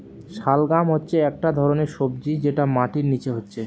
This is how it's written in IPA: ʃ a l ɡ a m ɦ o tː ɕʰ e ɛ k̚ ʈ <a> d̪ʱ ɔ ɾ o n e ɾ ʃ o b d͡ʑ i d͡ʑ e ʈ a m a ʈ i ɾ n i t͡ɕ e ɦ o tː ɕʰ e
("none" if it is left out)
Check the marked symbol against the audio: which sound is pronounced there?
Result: a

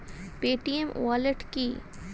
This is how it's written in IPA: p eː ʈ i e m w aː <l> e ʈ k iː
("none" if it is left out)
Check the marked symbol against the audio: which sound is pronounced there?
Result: l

